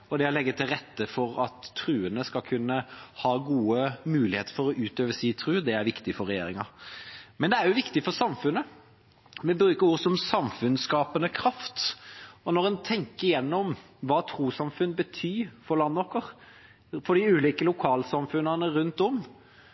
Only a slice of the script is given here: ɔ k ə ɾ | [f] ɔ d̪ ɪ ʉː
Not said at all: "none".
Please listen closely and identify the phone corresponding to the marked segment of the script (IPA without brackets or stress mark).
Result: f